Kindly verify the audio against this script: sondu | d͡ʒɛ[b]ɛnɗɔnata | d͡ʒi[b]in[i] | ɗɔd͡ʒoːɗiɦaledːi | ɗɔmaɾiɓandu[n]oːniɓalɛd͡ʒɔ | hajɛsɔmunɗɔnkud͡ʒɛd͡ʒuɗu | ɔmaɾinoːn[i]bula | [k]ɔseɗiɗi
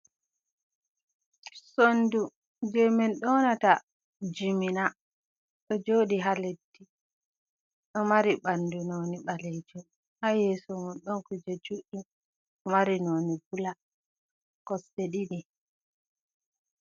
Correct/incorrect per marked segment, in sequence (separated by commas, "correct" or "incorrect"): incorrect, incorrect, incorrect, correct, correct, correct